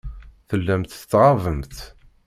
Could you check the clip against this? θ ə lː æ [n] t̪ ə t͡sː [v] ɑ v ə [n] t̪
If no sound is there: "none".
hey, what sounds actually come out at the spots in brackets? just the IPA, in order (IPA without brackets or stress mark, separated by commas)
m, ʁ, m